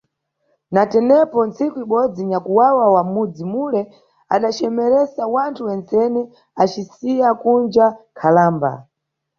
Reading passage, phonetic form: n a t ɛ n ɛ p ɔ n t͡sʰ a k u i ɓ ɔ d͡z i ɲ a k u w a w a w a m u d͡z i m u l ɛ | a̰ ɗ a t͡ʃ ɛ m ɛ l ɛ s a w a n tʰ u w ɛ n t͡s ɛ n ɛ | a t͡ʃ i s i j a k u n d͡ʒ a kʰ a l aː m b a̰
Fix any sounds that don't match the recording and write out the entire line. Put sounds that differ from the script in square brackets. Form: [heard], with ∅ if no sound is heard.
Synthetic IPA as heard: n a t ɛ n ɛ p ɔ n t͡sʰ [i] k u i ɓ ɔ d͡z i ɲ a k u w a w a w a m u d͡z i m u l ɛ | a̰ ɗ a t͡ʃ ɛ m ɛ [ɾ] ɛ s a w a n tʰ u w ɛ n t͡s ɛ n ɛ | a t͡ʃ i s i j a k u n d͡ʒ a kʰ a l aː m b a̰